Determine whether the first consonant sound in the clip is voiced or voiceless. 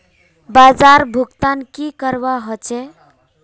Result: voiced